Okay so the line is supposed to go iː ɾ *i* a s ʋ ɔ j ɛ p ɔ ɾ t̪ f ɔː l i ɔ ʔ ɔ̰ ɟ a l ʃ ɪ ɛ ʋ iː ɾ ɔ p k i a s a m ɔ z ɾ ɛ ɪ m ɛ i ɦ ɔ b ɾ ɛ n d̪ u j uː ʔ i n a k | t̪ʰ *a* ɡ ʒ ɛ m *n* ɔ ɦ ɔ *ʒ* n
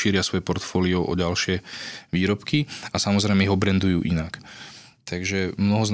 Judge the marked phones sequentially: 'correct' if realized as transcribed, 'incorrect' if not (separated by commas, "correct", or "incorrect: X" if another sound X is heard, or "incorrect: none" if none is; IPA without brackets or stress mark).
incorrect: ɪ, correct, correct, incorrect: z